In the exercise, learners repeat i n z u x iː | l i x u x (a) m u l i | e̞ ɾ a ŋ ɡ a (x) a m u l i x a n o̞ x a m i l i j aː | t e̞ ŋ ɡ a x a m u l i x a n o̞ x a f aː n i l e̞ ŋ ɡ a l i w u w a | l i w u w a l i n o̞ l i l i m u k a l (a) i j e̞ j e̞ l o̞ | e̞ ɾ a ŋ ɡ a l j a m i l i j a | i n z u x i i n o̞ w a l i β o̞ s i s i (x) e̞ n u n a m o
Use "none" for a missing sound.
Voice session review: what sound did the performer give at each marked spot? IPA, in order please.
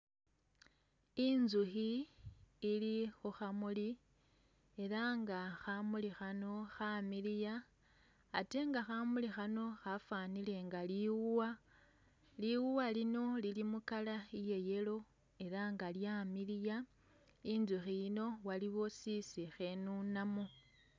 a, x, a, x

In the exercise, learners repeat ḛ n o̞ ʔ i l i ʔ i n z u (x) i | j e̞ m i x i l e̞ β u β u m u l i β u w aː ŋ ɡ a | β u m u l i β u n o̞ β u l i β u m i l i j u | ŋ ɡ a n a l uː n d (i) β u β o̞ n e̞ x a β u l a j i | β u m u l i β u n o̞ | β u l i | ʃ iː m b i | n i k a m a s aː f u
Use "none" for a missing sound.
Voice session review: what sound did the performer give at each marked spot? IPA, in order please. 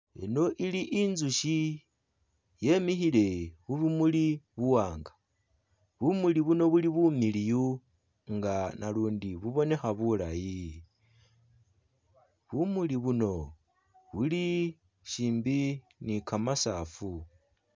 ʃ, i

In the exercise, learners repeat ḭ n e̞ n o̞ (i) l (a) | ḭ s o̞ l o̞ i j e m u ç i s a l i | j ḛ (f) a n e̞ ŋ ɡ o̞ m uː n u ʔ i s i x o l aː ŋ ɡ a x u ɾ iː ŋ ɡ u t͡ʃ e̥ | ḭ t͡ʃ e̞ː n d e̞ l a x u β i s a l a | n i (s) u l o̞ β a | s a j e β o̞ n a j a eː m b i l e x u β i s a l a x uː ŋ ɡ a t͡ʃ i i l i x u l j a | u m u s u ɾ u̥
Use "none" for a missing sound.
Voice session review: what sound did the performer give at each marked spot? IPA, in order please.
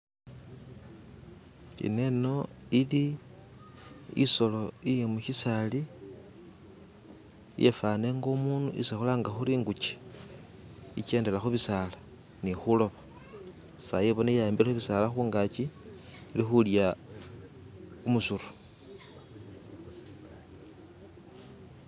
i, i, f, x

